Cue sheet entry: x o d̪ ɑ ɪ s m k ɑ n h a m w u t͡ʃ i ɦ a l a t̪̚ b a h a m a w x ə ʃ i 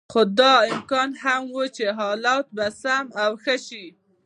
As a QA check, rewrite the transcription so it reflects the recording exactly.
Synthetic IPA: x o d̪ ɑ ɪ m k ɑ n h a m w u t͡ʃ e ɦ ɑ l ɑ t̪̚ b a s a m a w x ə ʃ i